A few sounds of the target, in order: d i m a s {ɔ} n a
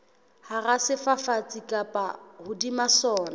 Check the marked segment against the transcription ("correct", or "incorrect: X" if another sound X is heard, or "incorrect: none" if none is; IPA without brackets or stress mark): incorrect: ɔː